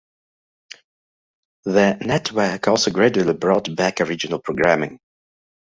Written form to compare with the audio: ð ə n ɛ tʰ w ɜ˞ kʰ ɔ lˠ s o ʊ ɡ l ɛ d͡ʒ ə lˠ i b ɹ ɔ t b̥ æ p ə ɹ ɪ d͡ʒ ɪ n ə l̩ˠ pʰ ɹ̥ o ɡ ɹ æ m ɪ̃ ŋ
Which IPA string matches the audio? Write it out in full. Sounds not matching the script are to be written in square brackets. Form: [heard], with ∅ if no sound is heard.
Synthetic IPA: ð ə n ɛ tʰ w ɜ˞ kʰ ɔ lˠ s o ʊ ɡ [ɹ] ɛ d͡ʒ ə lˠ i b ɹ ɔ t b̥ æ [k] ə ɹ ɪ d͡ʒ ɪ n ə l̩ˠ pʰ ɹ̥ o ɡ ɹ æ m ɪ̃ ŋ

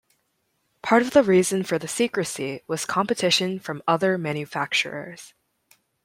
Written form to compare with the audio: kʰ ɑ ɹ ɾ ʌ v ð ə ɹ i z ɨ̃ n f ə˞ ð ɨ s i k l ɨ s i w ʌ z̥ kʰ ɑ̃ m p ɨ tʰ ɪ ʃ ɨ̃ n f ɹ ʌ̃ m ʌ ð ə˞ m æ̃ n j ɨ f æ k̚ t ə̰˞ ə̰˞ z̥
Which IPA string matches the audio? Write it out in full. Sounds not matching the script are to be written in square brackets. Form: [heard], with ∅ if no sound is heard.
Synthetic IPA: [pʰ] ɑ ɹ ɾ ʌ v ð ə ɹ i z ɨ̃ n f ə˞ ð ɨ s i k [ɹ] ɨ s i w ʌ z̥ kʰ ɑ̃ m p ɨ tʰ ɪ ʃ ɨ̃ n f ɹ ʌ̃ m ʌ ð ə˞ m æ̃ n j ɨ f æ k̚ [t͡ʃ] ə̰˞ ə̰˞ z̥

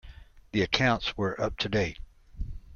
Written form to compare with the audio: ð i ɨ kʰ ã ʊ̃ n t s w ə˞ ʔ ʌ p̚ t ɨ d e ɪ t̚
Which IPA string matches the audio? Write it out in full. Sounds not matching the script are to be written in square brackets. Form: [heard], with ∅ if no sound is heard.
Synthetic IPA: ð i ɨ kʰ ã ʊ̃ n t s w ə˞ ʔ ʌ p̚ [tʰ] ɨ d e ɪ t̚

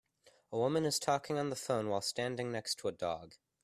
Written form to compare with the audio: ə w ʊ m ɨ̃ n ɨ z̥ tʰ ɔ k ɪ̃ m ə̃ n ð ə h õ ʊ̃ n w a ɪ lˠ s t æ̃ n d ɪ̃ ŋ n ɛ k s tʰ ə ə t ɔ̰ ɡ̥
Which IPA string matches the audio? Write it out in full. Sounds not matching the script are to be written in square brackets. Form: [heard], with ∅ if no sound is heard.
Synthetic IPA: ə w ʊ m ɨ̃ n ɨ z̥ tʰ ɔ k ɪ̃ [ŋ] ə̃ n ð ə [f] õ ʊ̃ n w a ɪ lˠ s t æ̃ n d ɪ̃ ŋ n ɛ k s tʰ ə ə [d] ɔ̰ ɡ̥

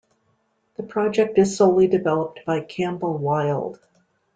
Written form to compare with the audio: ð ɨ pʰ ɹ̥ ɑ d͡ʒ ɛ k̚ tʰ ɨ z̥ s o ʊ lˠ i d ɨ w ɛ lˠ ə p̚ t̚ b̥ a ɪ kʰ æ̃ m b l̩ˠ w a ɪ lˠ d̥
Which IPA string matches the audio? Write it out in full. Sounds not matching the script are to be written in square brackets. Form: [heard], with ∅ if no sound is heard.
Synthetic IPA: ð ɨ pʰ ɹ̥ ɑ d͡ʒ ɛ k̚ [t] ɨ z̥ s o ʊ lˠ i d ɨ [v] ɛ lˠ ə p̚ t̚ b̥ a ɪ kʰ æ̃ m b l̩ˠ w a ɪ lˠ d̥

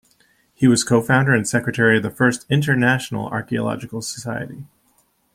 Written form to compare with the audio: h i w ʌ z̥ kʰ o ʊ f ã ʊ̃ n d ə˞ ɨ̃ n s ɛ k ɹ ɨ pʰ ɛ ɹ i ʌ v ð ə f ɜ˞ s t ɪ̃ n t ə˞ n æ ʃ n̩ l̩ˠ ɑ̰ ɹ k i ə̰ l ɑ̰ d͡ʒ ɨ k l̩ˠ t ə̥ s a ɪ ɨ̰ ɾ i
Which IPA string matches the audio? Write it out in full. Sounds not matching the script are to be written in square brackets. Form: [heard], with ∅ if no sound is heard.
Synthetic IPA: h i w ʌ z̥ kʰ o ʊ f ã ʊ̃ n d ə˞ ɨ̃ n s ɛ k ɹ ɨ [tʰ] ɛ ɹ i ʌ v ð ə f ɜ˞ s t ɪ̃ n t ə˞ n æ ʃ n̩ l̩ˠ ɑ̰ ɹ k i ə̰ l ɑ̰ d͡ʒ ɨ k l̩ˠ [s] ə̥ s a ɪ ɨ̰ ɾ i

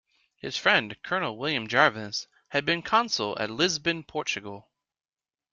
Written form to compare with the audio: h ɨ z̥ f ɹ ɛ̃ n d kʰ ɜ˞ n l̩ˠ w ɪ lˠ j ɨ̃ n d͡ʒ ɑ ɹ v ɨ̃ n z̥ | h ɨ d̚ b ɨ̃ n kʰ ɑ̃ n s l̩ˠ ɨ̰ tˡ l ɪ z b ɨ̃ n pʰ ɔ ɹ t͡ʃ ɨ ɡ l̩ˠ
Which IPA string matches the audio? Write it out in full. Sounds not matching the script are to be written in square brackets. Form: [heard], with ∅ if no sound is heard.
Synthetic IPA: h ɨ z̥ f ɹ ɛ̃ n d kʰ ɜ˞ n l̩ˠ w ɪ lˠ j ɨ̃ [m] d͡ʒ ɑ ɹ v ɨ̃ n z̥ | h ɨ d̚ b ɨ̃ n kʰ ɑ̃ n s l̩ˠ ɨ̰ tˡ l ɪ z b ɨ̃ n pʰ ɔ ɹ t͡ʃ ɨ ɡ l̩ˠ

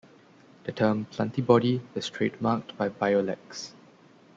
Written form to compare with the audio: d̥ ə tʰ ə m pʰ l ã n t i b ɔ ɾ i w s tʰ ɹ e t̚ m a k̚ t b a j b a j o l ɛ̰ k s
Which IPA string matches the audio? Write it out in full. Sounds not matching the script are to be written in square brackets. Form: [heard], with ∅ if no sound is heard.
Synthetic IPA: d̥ ə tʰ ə m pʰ l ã n t i b ɔ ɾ i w s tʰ ɹ e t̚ m a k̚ t b a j b a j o l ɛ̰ k s

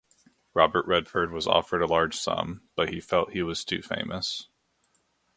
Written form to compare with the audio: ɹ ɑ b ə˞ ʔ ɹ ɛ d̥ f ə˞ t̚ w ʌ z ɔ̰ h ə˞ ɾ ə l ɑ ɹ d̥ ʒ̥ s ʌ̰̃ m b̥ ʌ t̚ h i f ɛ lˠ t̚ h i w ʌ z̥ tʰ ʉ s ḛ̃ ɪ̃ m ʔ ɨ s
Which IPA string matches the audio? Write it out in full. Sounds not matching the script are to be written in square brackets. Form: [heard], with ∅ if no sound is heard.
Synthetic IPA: ɹ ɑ b ə˞ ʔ ɹ ɛ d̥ f ə˞ [d̚] w ʌ z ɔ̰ [f] ə˞ ɾ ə l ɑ ɹ d̥ ʒ̥ s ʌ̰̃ m b̥ ʌ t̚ h i f ɛ lˠ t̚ h i w ʌ z̥ tʰ ʉ [f] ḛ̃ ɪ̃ m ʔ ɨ s

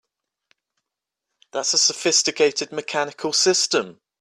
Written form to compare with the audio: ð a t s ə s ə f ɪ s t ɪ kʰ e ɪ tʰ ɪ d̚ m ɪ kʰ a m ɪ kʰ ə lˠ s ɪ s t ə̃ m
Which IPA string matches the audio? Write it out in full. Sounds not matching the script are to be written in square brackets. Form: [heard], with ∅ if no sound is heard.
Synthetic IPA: ð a t s ə s ə f ɪ s t ɪ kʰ e ɪ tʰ ɪ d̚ m ɪ kʰ a [n] ɪ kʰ ə lˠ s ɪ s t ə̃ m

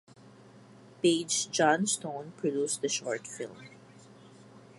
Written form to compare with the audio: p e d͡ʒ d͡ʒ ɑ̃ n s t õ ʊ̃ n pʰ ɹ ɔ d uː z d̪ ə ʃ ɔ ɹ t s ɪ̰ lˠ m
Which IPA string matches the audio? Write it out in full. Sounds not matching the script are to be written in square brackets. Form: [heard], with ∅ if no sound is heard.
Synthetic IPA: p e d͡ʒ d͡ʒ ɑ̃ n s t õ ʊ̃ n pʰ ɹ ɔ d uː [s] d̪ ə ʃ ɔ ɹ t [f] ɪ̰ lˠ m

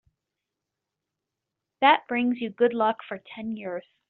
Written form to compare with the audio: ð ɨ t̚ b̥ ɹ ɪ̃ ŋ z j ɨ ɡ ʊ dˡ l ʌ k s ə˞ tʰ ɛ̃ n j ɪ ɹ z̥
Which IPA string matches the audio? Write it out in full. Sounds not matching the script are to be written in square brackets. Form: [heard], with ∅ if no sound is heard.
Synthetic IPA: ð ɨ t̚ b̥ ɹ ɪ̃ ŋ z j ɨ ɡ ʊ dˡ l ʌ k [f] ə˞ tʰ ɛ̃ n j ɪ ɹ z̥

